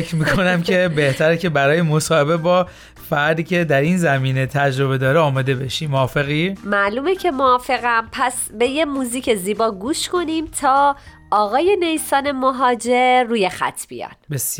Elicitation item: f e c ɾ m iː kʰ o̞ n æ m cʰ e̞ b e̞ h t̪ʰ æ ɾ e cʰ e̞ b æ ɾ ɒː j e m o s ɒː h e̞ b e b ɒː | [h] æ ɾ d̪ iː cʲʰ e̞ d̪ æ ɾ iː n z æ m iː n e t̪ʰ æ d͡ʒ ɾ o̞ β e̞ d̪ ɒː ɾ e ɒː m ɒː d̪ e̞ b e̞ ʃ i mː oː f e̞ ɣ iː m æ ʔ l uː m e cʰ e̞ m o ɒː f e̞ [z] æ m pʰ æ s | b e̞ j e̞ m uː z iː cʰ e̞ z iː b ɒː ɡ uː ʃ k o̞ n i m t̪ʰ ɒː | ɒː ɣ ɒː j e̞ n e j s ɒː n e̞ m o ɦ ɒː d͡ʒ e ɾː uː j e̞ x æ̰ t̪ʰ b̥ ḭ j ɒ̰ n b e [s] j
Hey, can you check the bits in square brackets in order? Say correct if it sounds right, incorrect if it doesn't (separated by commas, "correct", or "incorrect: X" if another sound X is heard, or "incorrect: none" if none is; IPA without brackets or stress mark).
incorrect: f, incorrect: ɣ, correct